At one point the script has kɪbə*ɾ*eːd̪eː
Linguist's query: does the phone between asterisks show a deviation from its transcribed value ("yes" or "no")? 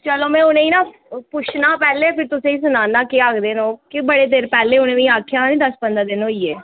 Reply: yes